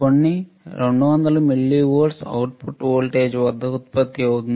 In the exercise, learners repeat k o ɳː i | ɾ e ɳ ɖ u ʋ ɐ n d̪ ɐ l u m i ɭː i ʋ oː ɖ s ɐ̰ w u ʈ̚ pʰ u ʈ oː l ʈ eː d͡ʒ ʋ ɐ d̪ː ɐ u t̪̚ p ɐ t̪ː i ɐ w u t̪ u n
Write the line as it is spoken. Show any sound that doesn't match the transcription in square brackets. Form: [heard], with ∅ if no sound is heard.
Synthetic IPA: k o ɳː i | ɾ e ɳ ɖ u ʋ ɐ n d̪ ɐ l u m i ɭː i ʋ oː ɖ s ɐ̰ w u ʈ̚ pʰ u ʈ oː l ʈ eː d͡ʒ ʋ ɐ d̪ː ɐ u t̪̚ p ɐ t̪ː i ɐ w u t̪ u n